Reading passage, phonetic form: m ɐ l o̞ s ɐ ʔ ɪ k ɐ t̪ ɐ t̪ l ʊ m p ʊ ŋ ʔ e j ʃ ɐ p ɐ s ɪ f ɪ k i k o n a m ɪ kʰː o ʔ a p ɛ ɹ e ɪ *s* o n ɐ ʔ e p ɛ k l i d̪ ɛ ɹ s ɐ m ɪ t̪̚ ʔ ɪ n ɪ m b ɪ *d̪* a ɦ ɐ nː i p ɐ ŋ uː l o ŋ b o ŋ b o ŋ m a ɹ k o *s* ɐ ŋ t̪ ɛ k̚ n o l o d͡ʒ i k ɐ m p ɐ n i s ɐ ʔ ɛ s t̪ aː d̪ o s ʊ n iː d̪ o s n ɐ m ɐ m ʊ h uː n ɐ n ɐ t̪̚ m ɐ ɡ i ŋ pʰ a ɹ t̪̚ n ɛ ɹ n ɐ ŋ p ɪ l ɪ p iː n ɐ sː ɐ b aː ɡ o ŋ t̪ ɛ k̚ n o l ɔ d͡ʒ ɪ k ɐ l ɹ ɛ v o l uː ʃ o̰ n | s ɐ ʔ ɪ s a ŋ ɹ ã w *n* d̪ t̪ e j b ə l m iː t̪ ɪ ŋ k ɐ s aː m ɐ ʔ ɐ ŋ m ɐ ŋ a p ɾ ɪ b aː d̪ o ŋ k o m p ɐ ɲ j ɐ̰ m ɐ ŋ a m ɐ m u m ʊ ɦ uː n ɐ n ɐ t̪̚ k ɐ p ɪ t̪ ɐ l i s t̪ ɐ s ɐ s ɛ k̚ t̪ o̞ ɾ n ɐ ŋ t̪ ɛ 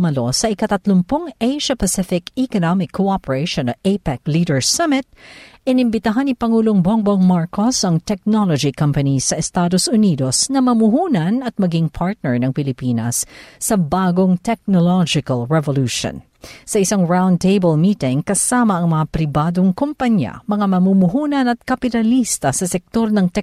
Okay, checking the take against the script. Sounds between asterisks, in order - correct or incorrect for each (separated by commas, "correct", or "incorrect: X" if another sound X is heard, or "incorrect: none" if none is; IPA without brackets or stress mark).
incorrect: ʃ, incorrect: t̪, correct, correct